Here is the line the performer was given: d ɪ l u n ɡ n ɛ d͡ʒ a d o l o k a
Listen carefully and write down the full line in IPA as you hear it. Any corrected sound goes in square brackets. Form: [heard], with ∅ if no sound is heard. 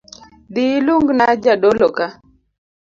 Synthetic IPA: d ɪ l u [ŋ] ɡ n [a] d͡ʒ a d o l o k a